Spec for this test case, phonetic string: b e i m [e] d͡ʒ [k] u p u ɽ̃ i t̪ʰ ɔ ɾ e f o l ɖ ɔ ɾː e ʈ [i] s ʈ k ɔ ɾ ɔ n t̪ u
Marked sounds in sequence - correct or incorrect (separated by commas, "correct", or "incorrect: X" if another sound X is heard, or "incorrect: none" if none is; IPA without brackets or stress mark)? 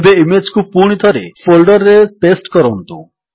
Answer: correct, correct, incorrect: e